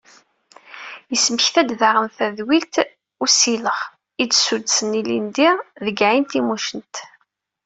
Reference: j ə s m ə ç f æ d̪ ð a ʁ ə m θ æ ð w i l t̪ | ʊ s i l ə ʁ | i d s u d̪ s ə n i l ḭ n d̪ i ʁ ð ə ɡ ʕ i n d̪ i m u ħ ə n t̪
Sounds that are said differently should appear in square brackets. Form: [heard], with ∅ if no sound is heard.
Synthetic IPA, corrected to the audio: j ə s m ə ç [θ] æ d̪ ð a ʁ ə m θ æ ð w i l t̪ | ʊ s i l ə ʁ | i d s u d̪ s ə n i l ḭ n d̪ i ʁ ð ə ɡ ʕ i n [t̪] i m u [ʃ] ə n t̪